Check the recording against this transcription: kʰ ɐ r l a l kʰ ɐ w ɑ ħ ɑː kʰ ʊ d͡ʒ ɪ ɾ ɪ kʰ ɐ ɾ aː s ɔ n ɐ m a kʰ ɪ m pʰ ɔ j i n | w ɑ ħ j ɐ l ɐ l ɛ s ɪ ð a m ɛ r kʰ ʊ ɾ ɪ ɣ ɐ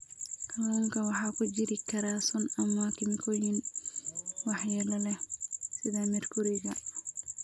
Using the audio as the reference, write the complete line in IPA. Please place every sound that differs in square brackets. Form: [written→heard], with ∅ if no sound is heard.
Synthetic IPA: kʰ ɐ [r→∅] l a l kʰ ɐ w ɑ ħ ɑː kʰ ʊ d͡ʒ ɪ ɾ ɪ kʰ ɐ ɾ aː s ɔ n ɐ m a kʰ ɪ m [pʰ→kʰ] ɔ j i n | w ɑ ħ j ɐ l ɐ l ɛ s ɪ ð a m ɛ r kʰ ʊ ɾ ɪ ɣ ɐ